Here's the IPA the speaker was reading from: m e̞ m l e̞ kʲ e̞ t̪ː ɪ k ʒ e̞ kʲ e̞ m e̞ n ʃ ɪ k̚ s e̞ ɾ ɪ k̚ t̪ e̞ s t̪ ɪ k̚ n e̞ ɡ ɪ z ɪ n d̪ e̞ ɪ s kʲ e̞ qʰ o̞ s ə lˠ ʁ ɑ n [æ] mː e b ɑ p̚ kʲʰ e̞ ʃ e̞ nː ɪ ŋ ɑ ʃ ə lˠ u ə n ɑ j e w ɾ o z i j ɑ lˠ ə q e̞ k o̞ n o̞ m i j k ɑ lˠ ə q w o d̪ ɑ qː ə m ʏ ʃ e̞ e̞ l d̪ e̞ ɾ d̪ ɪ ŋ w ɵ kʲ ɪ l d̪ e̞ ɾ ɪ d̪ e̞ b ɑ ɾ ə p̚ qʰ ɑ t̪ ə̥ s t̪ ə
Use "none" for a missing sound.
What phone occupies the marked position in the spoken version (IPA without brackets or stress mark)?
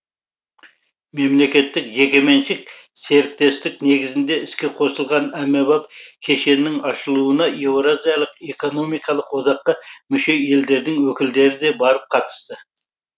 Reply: æ